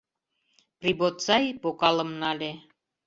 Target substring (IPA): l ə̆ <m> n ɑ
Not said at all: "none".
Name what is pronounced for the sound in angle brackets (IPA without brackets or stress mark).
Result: m